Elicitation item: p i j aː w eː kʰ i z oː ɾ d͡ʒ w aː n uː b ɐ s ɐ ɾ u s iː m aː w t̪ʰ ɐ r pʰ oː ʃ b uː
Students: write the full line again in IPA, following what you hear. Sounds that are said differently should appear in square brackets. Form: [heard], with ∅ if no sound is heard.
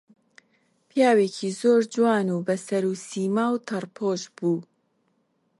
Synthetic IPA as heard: p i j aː w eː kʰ i z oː ɾ d͡ʒ w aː n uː b ɐ s ɐ ɾ u s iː m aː w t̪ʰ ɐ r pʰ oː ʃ b uː

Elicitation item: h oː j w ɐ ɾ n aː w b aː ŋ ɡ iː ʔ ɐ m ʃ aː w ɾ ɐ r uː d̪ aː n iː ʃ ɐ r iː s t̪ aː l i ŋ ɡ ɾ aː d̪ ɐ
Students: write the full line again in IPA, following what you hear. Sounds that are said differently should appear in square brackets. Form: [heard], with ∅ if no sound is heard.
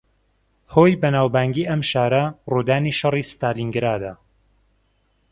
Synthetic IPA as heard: h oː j [b] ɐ [∅] n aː w b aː ŋ ɡ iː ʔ ɐ m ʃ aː [∅] ɾ ɐ r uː d̪ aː n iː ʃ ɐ r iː s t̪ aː l i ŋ ɡ ɾ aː d̪ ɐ

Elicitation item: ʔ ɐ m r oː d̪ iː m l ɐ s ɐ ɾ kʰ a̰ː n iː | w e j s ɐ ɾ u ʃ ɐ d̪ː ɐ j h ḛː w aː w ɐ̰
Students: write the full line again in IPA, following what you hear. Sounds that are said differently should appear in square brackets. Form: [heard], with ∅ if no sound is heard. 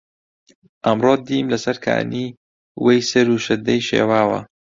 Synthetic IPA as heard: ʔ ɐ m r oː d̪ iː m l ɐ s ɐ ɾ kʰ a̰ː n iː | w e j s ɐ ɾ u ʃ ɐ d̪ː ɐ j [ʃ] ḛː w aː w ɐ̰

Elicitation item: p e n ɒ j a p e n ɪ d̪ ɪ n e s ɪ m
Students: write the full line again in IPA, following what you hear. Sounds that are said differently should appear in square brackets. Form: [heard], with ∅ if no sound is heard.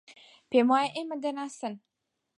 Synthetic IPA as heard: p e [m] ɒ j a [ʔ] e [m] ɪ d̪ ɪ n [a] s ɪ [n]

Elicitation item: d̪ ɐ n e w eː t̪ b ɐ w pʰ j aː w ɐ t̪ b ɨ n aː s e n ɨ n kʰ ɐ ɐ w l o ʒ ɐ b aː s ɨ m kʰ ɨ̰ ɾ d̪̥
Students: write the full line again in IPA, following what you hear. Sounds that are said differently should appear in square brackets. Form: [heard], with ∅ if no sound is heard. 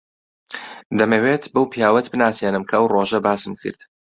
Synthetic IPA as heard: d̪ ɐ [m] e w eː t̪ b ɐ w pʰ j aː w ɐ t̪ b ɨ n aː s e n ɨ [m] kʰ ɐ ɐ w [r] o ʒ ɐ b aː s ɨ m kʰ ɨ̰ ɾ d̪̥

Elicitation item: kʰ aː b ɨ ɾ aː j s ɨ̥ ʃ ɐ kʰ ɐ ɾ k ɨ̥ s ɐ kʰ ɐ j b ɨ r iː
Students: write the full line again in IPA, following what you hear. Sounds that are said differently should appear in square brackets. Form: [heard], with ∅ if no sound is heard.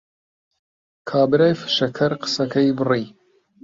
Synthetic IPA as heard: kʰ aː b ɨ ɾ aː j [f] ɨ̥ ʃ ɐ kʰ ɐ ɾ [q] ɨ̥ s ɐ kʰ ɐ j b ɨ r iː

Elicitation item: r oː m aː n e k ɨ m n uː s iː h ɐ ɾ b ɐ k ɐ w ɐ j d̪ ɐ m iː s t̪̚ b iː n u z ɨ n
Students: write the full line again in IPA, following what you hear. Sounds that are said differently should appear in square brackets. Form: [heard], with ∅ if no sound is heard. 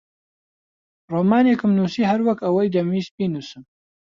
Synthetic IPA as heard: r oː m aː n e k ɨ m n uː s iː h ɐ ɾ [w] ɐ k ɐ w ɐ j d̪ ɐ m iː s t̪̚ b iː n u [s] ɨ [m]

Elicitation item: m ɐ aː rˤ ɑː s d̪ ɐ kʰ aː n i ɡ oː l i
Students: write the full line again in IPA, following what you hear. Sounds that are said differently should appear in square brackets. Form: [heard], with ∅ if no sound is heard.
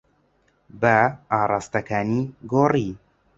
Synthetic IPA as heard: [b] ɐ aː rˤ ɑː s [t̪] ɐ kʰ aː n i ɡ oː [r] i

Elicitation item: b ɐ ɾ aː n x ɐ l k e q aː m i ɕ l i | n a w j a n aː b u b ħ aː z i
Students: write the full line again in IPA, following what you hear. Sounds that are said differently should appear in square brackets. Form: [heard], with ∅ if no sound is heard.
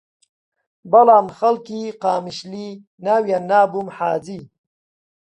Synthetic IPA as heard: b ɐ [l] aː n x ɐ l k [i] q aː m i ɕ l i | n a w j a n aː b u [m] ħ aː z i

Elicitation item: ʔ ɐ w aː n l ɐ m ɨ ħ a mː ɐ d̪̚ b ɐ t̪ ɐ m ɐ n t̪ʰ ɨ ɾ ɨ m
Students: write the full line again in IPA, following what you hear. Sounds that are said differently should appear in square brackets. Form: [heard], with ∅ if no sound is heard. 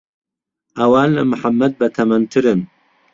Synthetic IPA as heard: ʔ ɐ w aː n l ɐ m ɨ ħ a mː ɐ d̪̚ b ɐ [t̪ʰ] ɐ m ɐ n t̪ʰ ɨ ɾ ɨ [n]

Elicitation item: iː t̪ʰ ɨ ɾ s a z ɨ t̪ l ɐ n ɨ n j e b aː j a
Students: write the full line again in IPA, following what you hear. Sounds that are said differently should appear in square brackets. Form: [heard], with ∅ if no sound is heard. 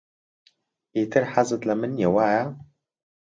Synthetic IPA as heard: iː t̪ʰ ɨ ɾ [ħ] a z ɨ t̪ l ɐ [m] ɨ n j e [w] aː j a

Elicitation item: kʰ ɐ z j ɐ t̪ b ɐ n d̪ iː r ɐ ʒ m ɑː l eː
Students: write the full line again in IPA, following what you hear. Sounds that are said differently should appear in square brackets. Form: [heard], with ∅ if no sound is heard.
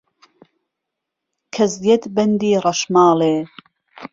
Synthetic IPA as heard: kʰ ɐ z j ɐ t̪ b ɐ n d̪ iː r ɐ [ʃ] m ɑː l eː

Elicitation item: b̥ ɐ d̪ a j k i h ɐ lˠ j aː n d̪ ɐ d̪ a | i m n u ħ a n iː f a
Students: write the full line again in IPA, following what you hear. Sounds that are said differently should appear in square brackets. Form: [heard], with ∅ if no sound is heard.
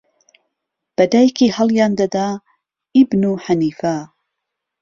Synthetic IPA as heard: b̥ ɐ d̪ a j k i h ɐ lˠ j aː n d̪ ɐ d̪ a | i [b] n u ħ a n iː f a

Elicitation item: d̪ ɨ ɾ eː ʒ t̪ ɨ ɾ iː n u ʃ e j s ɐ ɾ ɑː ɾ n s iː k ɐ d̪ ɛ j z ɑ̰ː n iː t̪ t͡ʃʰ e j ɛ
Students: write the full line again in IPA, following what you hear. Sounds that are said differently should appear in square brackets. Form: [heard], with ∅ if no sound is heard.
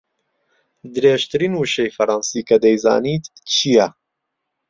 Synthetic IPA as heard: d̪ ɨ ɾ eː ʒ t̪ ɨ ɾ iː n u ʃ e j [f] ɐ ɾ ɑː [∅] n s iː k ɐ d̪ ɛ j z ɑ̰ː n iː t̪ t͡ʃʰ [i] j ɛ

